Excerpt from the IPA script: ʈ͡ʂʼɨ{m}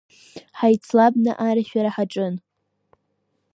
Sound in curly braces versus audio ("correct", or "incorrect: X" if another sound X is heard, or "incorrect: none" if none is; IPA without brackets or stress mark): incorrect: n